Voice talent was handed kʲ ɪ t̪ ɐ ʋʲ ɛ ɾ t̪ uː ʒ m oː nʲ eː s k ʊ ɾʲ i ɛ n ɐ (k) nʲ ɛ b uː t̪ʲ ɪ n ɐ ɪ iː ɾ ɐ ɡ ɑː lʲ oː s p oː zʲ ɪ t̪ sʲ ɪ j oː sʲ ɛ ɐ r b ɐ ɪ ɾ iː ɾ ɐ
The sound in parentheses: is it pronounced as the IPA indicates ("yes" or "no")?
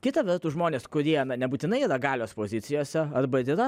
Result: no